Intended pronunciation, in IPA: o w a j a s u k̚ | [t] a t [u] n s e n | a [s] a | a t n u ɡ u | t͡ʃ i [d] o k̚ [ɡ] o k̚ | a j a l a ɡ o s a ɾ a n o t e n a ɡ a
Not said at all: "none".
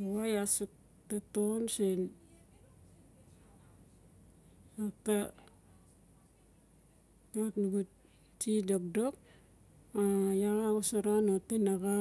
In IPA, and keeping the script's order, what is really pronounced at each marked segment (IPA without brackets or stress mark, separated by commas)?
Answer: t, o, t, d, d